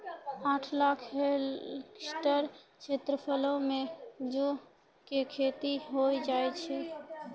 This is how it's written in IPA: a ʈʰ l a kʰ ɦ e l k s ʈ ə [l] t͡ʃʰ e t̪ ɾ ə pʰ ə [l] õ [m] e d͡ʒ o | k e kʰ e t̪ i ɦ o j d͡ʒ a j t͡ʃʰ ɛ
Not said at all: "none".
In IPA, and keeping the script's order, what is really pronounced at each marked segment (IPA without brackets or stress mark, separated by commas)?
ɾ, l, m